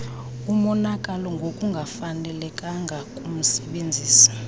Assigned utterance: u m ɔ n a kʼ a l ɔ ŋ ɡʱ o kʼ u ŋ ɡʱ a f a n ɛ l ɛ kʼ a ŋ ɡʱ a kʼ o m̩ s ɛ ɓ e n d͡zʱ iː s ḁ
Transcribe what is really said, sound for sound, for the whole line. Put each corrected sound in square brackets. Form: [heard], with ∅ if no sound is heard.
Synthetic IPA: u m ɔ n a kʼ a l ɔ ŋ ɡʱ o kʼ u ŋ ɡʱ a f a n ɛ l ɛ kʼ a ŋ ɡʱ a kʼ [u] m̩ s ɛ ɓ e n d͡zʱ iː s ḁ

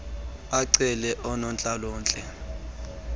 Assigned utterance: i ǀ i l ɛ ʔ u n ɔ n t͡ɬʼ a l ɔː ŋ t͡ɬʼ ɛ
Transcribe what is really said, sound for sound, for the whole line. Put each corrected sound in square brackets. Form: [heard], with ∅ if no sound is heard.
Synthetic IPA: [a] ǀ [ɛ] l ɛ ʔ [ɔ] n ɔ n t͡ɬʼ a l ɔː [n] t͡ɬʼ ɛ

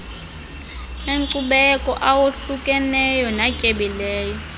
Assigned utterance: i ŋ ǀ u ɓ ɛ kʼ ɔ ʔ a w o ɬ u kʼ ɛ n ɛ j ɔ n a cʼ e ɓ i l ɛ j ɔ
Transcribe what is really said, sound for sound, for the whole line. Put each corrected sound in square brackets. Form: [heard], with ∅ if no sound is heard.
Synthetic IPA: [e] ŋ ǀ u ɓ ɛ kʼ ɔ ʔ a w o ɬ u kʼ ɛ n ɛ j ɔ n a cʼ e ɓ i l [ɛː] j ɔ

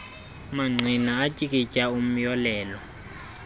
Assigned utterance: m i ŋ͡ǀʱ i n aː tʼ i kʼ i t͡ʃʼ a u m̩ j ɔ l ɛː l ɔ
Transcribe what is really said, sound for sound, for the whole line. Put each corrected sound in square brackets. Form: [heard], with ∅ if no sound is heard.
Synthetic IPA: m [a] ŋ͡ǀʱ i n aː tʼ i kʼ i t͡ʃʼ a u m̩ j ɔ l ɛː l ɔ

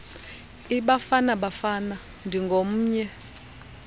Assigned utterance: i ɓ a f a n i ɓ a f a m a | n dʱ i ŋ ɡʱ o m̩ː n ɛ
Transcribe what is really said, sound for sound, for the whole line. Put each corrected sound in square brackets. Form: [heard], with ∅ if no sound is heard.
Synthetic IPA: i ɓ a f a n [a] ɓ a f a [n] a | n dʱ i ŋ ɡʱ o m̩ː [ɲ] ɛ

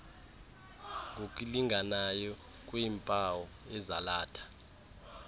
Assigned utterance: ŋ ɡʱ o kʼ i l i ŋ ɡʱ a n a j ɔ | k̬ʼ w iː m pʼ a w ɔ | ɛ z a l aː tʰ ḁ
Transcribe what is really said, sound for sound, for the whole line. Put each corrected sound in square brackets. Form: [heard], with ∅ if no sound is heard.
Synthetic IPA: ŋ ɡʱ o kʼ i l i ŋ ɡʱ a n a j ɔ | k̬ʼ w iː m pʼ a w ɔ | ɛ z a l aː tʰ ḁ

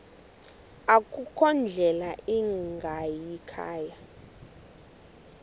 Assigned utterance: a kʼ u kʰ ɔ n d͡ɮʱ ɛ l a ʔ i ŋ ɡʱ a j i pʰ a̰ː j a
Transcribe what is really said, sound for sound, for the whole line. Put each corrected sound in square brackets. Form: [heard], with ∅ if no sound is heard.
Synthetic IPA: a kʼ u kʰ ɔ n d͡ɮʱ ɛ l a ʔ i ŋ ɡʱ a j i [kʰ] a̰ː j a

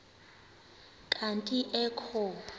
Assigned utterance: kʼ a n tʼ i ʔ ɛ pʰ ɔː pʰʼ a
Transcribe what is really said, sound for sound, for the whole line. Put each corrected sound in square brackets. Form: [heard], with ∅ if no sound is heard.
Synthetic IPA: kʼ a n tʼ i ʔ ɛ [kʰ] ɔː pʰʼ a

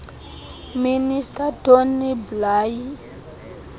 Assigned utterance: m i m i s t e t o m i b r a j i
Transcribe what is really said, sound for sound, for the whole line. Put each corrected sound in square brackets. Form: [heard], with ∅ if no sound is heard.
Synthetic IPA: m i [n] i s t [a] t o [n] i b [l] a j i

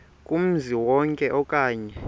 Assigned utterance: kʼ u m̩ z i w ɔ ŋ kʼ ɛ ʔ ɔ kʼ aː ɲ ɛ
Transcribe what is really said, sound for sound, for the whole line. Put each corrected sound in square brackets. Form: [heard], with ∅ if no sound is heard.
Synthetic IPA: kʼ u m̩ z i w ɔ ŋ kʼ ɛ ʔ ɔ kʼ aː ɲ ɛ

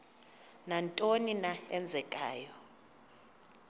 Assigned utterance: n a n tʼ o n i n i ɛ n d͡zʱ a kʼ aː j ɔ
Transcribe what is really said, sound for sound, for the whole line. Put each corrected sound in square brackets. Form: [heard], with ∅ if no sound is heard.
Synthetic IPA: n a n tʼ o n i n [a] ɛ n d͡zʱ [ɛ] kʼ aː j ɔ

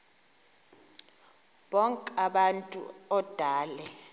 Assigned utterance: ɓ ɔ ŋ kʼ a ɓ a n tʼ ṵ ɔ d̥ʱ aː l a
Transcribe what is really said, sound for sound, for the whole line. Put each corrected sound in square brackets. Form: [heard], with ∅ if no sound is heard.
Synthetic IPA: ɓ ɔ ŋ kʼ a ɓ a n tʼ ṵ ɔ d̥ʱ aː l [ɛ]

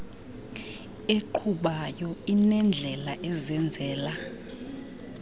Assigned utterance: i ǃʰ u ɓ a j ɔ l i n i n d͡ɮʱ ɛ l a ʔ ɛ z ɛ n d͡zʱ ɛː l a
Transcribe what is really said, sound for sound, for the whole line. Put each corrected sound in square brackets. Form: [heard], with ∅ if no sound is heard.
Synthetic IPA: [e] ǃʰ u ɓ a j ɔ [∅] i n [ɛ] n d͡ɮʱ ɛ l a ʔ ɛ z ɛ n d͡zʱ ɛː l a

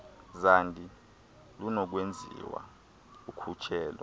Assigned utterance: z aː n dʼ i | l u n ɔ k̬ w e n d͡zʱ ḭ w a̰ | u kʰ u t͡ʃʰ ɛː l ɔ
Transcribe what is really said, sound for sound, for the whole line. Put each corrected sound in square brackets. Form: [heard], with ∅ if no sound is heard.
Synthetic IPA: z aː n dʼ i | l u n ɔ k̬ w e n d͡zʱ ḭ w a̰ | u kʰ u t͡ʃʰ ɛː l ɔ

